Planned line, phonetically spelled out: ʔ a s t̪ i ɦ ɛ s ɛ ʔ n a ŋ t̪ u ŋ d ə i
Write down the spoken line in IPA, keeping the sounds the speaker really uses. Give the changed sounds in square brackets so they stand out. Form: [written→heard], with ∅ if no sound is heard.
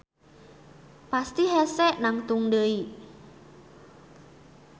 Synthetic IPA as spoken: [ʔ→p] a s t̪ i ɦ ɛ s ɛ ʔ n a ŋ t̪ u ŋ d ə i